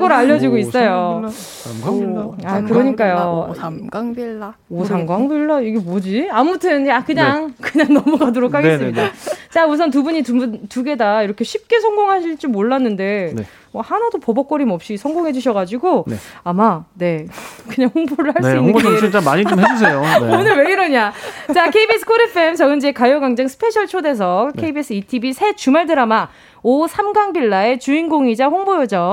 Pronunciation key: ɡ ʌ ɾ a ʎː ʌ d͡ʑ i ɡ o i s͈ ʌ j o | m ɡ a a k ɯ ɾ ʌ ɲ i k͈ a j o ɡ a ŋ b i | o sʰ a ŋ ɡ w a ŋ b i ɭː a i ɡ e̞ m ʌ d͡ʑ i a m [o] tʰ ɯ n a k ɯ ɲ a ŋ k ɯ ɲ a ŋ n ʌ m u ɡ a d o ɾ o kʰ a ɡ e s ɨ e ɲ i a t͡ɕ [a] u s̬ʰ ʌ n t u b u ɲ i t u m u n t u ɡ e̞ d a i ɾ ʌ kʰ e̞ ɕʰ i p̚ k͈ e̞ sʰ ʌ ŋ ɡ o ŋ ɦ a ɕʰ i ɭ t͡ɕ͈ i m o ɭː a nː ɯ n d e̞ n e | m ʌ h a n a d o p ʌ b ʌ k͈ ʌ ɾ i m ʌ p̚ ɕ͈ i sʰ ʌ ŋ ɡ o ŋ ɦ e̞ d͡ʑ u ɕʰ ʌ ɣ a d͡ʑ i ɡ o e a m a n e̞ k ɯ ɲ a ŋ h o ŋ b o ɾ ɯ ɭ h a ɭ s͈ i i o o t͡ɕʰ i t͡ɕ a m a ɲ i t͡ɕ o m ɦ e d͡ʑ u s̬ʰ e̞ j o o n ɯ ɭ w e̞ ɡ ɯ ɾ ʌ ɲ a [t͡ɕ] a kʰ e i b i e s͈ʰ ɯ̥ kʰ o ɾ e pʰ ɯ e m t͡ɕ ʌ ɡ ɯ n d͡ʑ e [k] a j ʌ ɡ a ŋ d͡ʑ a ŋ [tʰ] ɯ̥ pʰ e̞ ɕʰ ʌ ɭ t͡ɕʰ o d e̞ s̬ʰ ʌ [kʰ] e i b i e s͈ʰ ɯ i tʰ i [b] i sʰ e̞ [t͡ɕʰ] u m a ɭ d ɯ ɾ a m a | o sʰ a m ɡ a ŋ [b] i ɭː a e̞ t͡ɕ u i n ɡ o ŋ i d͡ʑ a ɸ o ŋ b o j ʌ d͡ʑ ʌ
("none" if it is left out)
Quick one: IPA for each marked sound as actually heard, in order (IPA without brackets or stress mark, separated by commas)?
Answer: u, a, t͡ɕ, k, sʰ, kʰ, b, t͡ɕ, b